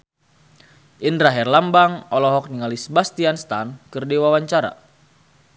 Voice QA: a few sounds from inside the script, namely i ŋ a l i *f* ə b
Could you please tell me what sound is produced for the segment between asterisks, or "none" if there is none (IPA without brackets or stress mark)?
s